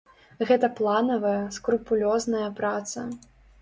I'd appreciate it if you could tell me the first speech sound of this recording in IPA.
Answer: ɣ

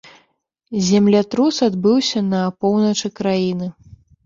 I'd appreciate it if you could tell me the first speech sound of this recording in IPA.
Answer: zʲ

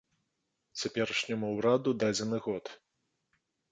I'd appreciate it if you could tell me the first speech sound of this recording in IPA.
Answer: t͡sʲ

